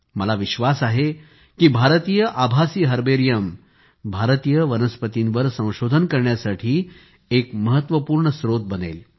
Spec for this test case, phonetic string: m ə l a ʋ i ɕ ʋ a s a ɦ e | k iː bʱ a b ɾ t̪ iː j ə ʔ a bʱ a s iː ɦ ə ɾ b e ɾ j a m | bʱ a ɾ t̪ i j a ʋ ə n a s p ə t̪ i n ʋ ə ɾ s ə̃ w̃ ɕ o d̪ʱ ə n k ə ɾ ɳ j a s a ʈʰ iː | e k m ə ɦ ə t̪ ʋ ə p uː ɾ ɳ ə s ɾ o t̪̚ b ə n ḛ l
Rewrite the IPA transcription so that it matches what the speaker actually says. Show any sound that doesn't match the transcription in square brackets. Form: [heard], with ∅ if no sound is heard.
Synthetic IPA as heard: m ə l a ʋ i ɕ ʋ a s a ɦ e | k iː bʱ a [∅] ɾ t̪ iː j ə ʔ a bʱ a s iː ɦ ə ɾ b e ɾ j [ə] m | bʱ a ɾ t̪ i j [ə] ʋ ə n [ə] s p ə t̪ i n ʋ ə ɾ s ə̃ w̃ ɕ o d̪ʱ ə n k ə ɾ ɳ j a s a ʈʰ iː | e k m ə ɦ ə t̪ ʋ ə p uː ɾ ɳ ə s ɾ o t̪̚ b ə n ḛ l